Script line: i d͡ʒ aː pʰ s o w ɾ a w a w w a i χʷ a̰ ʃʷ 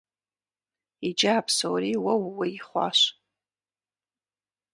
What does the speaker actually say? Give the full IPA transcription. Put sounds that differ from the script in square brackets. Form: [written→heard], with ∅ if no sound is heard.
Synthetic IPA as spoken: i d͡ʒ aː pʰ s o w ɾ [a→i] w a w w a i χʷ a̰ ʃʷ